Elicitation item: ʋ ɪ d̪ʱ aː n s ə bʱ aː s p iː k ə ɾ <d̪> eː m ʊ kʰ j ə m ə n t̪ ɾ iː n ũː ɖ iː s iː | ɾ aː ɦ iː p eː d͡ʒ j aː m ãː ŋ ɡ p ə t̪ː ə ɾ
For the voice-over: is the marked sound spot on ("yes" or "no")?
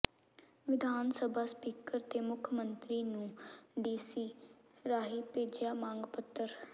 no